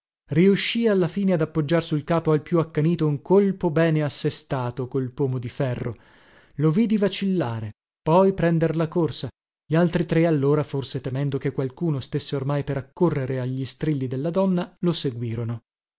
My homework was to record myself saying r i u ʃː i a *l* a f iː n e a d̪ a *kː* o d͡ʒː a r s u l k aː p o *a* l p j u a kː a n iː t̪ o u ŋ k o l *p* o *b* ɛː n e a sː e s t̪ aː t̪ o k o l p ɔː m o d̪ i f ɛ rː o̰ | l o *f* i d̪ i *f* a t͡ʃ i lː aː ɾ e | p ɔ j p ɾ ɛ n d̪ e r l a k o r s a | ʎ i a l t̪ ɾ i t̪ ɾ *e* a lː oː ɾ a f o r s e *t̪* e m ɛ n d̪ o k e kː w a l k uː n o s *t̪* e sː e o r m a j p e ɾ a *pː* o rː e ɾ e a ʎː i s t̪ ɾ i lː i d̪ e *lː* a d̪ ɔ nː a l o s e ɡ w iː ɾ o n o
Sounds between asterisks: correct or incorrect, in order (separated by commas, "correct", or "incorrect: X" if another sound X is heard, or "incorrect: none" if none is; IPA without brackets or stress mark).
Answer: incorrect: lː, incorrect: pː, correct, correct, correct, incorrect: v, incorrect: v, correct, correct, correct, incorrect: kː, correct